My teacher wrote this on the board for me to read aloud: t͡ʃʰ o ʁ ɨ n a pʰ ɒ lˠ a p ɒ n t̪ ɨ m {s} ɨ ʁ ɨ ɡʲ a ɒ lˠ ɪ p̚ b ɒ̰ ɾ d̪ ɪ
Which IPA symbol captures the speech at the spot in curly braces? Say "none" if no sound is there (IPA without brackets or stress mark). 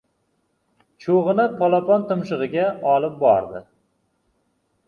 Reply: ʃ